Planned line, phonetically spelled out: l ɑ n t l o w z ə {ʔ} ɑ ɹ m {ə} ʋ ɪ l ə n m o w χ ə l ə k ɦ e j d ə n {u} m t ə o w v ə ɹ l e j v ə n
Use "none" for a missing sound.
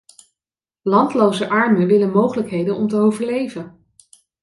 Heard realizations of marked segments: ʔ, ə, ɔ

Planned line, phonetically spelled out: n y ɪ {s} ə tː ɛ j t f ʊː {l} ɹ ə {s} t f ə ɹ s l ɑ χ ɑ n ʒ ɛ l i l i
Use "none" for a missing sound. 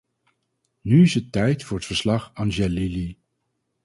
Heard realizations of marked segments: s, none, none

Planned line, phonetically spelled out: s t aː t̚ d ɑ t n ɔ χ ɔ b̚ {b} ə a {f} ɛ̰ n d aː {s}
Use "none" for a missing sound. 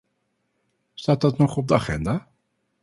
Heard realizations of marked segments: d, χ, none

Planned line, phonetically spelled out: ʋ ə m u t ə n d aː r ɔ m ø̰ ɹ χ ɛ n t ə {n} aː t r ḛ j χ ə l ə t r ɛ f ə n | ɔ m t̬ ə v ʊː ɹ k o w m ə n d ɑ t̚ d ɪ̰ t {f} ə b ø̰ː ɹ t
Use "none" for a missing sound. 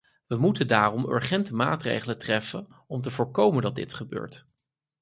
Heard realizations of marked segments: m, χ

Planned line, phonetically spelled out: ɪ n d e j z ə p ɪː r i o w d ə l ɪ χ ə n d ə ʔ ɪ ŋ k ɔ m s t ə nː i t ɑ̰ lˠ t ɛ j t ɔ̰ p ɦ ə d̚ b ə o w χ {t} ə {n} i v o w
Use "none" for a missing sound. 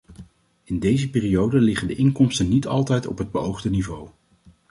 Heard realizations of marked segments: d, n

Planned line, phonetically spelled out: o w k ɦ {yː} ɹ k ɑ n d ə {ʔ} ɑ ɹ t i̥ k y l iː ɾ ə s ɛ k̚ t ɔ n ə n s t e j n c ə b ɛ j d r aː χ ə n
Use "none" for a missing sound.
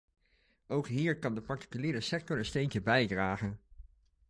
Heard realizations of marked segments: iː, p

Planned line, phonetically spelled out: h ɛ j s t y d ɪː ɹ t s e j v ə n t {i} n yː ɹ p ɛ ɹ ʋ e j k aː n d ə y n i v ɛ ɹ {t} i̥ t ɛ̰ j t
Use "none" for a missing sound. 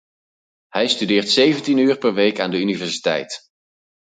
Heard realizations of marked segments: i, s

